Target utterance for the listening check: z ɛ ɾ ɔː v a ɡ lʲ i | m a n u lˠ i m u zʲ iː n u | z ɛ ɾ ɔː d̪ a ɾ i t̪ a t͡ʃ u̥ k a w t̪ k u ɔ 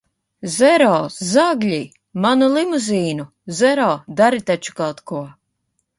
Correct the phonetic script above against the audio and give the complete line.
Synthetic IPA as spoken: z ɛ ɾ ɔː z a ɡ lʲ i | m a n u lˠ i m u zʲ iː n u | z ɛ ɾ ɔː d̪ a ɾ i t̪ a t͡ʃ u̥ k a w t̪ k u ɔ